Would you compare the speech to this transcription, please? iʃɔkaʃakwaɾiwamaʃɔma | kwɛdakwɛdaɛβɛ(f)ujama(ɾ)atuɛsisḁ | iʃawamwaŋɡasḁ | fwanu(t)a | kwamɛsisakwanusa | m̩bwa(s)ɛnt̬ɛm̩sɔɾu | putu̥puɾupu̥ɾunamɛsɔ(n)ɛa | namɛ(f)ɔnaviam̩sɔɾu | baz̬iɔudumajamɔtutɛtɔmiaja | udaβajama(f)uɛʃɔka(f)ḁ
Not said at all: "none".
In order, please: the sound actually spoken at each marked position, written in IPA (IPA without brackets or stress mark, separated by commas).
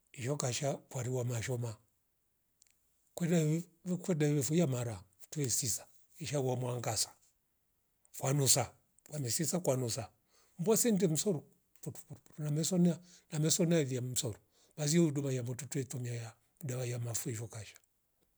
f, ɾ, s, s, n, s, f, ʃ